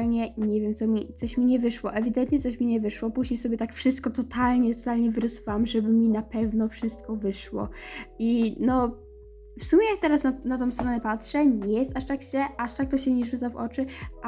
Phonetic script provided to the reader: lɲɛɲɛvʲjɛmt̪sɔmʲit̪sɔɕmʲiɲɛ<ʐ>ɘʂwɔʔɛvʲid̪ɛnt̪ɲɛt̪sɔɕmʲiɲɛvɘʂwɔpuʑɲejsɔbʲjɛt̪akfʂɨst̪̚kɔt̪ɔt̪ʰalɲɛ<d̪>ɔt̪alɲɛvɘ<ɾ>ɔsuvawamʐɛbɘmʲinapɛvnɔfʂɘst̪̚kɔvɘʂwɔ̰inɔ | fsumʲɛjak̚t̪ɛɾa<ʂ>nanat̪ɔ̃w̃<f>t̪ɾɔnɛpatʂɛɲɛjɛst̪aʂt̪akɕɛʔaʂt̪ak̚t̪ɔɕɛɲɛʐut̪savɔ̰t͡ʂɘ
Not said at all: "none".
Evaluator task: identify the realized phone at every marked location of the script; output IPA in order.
v, t̪, ɾ, s, s

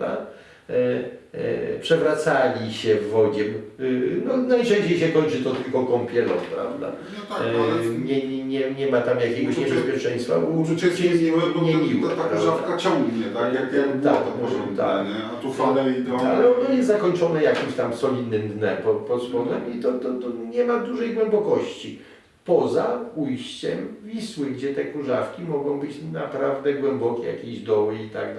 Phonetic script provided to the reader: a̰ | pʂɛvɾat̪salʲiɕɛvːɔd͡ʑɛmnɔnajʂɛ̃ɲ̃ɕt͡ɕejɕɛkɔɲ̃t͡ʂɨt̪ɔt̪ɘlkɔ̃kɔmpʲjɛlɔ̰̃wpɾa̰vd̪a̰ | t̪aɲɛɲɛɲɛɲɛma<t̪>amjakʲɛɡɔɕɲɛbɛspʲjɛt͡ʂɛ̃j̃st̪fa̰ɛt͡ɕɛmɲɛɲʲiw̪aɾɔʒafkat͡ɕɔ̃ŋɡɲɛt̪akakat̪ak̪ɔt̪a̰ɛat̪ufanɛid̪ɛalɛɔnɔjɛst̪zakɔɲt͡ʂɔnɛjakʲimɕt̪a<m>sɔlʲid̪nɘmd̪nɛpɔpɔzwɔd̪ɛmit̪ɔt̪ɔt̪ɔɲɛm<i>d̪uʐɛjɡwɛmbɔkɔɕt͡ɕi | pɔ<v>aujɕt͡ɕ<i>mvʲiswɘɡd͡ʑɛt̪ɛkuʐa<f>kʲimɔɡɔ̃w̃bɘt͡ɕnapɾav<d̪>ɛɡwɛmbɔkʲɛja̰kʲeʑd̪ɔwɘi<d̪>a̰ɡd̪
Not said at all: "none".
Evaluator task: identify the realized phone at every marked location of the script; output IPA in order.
t̪, m, a, z, ɛ, f, d̪, t̪

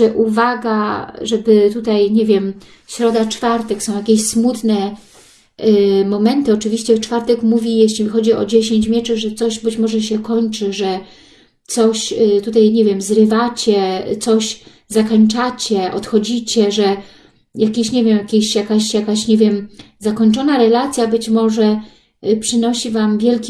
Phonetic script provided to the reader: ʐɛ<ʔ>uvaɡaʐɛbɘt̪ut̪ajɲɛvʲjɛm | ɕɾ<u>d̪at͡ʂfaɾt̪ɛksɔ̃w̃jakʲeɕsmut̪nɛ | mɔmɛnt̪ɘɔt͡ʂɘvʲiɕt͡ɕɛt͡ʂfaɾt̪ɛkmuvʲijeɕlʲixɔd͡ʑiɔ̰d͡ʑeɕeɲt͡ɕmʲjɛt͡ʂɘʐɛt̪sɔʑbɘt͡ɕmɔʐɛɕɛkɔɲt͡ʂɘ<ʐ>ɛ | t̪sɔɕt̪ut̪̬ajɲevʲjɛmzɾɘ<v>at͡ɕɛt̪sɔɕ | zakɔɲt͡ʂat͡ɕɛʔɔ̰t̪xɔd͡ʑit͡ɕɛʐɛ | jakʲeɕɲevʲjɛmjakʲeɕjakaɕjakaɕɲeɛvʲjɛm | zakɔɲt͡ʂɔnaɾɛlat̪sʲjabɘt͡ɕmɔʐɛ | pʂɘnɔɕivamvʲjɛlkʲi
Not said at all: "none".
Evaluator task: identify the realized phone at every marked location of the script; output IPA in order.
ʔ, ɔ, ʐ, v

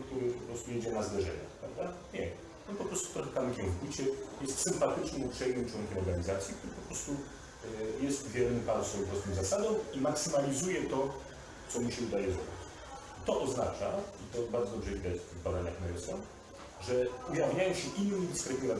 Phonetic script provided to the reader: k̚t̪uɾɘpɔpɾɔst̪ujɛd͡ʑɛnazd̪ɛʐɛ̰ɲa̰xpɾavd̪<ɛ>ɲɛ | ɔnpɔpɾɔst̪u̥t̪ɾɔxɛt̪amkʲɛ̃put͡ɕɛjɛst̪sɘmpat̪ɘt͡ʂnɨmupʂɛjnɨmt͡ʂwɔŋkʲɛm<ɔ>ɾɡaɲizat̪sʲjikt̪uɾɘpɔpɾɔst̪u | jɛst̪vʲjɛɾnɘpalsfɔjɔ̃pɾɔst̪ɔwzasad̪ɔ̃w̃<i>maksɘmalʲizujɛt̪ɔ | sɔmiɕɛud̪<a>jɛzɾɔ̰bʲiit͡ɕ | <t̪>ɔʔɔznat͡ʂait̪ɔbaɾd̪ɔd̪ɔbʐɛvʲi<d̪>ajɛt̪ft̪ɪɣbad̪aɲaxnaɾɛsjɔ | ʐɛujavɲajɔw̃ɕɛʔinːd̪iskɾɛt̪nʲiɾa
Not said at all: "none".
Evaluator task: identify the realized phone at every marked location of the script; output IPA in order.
a, ɔ, i, a, t̪, d̪

